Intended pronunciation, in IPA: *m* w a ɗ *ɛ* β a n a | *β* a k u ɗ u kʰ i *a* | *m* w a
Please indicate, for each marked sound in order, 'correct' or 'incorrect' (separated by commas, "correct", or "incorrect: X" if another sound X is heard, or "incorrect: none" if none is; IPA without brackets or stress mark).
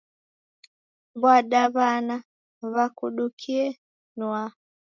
incorrect: b, incorrect: a, correct, incorrect: ɛ, incorrect: n